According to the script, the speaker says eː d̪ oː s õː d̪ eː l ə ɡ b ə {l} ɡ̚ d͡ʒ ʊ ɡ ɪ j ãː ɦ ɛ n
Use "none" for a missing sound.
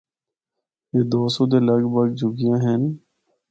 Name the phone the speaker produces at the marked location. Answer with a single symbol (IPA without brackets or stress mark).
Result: none